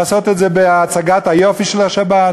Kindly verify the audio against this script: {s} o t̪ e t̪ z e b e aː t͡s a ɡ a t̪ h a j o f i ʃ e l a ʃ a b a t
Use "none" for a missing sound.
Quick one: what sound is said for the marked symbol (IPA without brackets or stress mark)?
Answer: s